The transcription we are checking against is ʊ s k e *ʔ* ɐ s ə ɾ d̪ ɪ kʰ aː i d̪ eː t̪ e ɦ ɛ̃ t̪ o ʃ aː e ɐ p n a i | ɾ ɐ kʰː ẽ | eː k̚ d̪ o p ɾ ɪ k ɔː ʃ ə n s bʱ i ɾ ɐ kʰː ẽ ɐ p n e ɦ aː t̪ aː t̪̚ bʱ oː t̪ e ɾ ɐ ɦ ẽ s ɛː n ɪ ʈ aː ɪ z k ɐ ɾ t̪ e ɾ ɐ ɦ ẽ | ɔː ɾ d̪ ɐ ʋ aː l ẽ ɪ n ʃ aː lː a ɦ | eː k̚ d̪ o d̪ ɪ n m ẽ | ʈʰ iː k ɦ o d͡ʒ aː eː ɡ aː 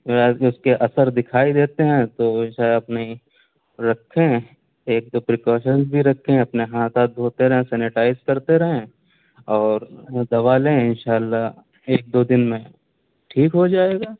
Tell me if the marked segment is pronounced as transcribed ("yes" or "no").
yes